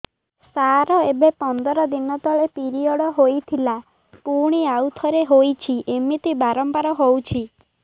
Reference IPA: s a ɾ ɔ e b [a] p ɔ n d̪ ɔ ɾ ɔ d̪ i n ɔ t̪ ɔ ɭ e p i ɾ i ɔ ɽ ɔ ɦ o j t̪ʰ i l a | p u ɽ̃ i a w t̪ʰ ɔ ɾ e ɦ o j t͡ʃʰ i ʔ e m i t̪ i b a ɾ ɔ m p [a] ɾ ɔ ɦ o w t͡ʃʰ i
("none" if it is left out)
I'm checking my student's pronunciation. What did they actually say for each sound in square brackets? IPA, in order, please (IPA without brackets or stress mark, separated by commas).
e, a